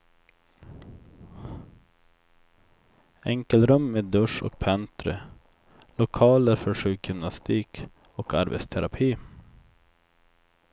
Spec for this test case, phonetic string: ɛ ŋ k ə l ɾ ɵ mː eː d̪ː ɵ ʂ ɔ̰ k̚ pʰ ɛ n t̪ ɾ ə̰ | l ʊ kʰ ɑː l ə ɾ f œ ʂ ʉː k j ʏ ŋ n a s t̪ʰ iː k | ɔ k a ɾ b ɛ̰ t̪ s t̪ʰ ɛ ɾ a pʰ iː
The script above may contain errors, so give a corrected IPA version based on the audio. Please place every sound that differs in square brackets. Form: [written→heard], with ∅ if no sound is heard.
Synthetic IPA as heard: ɛ ŋ k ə l ɾ ɵ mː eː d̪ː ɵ ʂ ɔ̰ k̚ pʰ ɛ n t̪ ɾ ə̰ | l ʊ kʰ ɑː l ə ɾ f œ ʂ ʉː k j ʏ [ŋ→m] n a s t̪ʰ iː k | ɔ k a ɾ b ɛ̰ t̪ s t̪ʰ ɛ ɾ a pʰ iː